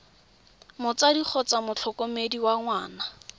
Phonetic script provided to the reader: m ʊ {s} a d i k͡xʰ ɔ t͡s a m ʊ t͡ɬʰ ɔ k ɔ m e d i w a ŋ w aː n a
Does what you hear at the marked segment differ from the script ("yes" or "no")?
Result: yes